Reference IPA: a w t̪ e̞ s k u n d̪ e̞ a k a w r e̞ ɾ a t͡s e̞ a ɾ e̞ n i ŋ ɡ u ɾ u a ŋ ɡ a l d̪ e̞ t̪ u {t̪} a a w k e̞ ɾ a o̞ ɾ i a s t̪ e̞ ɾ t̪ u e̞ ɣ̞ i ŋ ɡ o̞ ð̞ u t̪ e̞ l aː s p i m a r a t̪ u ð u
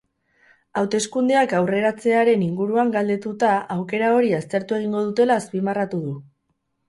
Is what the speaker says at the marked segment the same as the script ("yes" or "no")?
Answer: yes